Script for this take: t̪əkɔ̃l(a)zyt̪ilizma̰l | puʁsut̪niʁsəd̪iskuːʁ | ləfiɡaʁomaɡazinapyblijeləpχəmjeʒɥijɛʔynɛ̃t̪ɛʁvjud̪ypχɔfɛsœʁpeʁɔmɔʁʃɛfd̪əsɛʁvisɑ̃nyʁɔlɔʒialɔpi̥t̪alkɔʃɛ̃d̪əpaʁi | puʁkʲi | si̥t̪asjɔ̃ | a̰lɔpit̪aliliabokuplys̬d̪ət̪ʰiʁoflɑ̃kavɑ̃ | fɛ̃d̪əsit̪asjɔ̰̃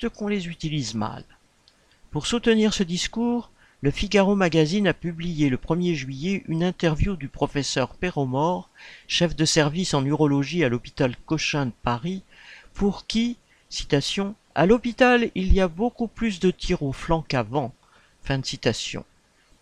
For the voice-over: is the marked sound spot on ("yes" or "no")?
no